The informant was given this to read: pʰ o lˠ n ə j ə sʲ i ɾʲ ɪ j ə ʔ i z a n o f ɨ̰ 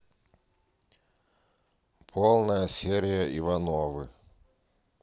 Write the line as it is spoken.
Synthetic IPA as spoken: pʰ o lˠ n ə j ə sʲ e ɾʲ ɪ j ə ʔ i v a n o v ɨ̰